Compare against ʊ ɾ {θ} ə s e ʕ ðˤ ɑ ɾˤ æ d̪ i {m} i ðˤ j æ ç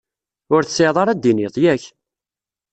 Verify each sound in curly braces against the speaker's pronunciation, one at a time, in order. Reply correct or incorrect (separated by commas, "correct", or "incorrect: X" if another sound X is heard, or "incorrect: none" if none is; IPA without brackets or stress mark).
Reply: correct, incorrect: n